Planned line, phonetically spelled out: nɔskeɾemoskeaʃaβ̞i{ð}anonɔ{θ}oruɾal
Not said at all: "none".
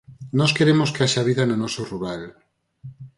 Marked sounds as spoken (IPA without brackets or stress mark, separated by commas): ð, s